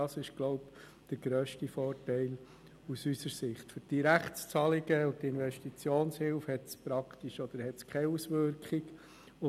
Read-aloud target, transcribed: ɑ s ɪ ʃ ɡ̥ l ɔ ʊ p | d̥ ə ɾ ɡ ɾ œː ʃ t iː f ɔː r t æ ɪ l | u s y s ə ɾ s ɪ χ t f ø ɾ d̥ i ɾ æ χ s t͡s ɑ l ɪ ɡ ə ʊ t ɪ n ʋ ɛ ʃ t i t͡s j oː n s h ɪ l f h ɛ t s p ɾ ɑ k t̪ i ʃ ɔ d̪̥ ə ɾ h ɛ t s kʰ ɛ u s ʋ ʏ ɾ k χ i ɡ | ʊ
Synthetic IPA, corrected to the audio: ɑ s ɪ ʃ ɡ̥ l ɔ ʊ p | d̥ ə ɾ ɡ ɾ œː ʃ t i f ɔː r t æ ɪ l | u s y s ə ɾ s ɪ χ t f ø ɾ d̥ i ɾ æ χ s t͡s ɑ l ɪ ɡ ə ʊ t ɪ n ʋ ɛ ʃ t i t͡s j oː n s h ɪ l f h ɛ t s p ɾ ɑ k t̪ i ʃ ɔ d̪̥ ə ɾ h ɛ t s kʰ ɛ u s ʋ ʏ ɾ k χ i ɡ | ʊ